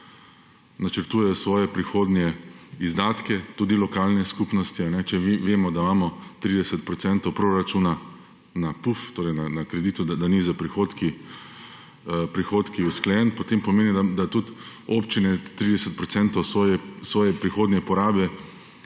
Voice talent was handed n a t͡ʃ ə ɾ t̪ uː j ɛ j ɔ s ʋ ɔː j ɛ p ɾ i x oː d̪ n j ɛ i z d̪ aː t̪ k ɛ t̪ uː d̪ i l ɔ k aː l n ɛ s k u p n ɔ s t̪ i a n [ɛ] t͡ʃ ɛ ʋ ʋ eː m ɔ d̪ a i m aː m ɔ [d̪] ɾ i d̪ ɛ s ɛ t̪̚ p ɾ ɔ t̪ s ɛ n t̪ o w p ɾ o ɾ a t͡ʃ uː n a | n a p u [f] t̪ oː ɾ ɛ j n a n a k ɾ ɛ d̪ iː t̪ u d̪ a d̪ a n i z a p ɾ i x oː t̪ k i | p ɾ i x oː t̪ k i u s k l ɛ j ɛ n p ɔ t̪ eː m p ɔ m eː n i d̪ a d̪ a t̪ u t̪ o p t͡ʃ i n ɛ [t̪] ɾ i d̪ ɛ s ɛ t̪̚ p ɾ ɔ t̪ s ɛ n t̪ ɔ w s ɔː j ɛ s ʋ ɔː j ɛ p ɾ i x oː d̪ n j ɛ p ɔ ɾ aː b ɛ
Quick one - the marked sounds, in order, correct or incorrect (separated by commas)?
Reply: correct, incorrect, correct, correct